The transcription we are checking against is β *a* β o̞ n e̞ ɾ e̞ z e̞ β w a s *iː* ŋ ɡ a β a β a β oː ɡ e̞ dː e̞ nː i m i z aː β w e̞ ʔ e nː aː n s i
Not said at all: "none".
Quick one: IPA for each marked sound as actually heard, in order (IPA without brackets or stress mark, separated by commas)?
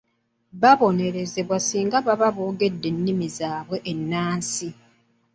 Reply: a, iː